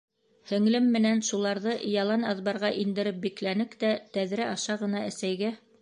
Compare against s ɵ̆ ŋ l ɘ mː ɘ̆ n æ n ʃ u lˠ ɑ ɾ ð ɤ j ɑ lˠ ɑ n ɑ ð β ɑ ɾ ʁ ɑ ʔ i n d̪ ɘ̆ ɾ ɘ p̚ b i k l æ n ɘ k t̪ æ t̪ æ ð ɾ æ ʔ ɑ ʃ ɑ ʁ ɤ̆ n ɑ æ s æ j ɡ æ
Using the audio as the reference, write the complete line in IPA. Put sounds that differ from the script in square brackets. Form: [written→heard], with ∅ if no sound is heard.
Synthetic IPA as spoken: [s→h] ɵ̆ ŋ l ɘ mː ɘ̆ n æ n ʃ u lˠ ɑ ɾ ð ɤ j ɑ lˠ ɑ n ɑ ð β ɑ ɾ ʁ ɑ ʔ i n d̪ ɘ̆ ɾ ɘ p̚ b i k l æ n ɘ k t̪ æ t̪ æ ð ɾ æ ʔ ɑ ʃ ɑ ʁ ɤ̆ n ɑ æ s æ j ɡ æ